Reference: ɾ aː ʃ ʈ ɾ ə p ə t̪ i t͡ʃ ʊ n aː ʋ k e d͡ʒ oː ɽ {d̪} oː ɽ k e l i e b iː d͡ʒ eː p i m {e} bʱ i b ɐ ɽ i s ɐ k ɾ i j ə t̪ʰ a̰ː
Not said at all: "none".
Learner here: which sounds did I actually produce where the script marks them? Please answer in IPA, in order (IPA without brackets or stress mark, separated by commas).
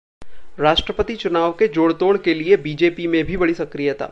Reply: t̪, ẽ